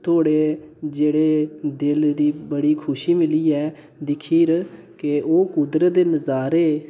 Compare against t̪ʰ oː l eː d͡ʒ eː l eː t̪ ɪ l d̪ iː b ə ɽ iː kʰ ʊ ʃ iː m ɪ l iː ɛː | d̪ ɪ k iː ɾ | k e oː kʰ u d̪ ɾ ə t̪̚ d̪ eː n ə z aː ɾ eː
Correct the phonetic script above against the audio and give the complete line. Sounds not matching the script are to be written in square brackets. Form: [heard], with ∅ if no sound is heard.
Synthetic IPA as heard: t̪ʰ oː [ɽ] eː d͡ʒ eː [ɽ] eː [d̪] ɪ l d̪ iː b ə ɽ iː kʰ ʊ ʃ iː m ɪ l iː ɛː | d̪ ɪ [kʰ] iː ɾ | k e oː [k] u d̪ ɾ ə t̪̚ d̪ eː n ə z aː ɾ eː

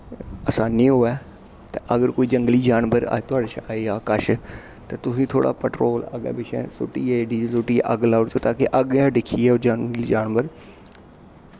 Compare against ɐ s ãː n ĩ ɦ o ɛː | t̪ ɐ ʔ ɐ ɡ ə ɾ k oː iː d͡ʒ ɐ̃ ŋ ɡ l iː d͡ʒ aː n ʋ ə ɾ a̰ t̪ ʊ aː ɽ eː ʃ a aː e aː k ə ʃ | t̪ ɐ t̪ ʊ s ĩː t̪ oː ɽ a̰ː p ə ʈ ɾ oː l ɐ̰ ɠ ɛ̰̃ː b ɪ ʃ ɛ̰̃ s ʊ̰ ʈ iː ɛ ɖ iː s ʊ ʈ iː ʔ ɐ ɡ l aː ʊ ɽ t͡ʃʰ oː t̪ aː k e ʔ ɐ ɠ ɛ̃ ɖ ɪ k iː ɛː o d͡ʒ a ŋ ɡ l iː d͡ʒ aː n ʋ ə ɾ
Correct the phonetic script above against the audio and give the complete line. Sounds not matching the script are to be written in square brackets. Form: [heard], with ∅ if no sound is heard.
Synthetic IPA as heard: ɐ s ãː n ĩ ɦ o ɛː | t̪ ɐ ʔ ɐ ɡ ə ɾ k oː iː d͡ʒ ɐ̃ ŋ ɡ l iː d͡ʒ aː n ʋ ə ɾ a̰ t̪ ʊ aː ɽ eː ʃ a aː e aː k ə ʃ | t̪ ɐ t̪ ʊ s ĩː [t̪ʰ] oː ɽ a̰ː p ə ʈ ɾ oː l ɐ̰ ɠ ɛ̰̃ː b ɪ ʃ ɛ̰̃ s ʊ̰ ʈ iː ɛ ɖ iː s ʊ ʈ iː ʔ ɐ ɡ l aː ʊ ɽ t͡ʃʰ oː t̪ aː k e ʔ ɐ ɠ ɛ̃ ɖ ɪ [kʰ] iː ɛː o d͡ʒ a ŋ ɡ l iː d͡ʒ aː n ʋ ə ɾ

